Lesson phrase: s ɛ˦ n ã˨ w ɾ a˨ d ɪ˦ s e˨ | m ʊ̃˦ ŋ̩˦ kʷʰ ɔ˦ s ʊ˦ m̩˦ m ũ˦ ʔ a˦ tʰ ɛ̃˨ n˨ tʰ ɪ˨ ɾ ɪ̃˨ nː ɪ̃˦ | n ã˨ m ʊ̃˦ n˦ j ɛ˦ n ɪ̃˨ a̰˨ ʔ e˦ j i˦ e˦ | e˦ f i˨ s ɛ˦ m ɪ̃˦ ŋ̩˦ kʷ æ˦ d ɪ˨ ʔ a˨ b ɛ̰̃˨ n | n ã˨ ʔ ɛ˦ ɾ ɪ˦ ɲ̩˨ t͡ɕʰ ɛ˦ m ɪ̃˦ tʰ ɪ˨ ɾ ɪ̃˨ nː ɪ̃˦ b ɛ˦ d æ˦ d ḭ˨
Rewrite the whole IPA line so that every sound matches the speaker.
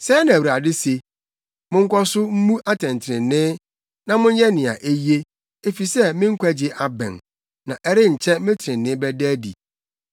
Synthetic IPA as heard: s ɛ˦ n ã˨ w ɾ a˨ d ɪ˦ s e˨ | m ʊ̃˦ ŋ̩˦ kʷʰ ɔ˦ s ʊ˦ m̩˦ m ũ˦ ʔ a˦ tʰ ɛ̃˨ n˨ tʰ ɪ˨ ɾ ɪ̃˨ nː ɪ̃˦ | n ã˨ m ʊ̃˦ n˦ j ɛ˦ n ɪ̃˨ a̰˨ ʔ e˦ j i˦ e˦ | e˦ f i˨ s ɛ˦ m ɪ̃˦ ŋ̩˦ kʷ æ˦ d͡ʑ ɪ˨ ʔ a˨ b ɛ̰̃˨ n | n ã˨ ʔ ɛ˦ ɾ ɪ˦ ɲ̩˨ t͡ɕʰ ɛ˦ m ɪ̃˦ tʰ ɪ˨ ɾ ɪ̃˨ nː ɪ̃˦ b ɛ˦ d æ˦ d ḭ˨